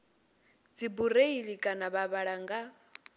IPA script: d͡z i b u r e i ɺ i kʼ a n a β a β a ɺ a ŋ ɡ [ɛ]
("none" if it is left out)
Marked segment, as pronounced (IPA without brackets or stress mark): a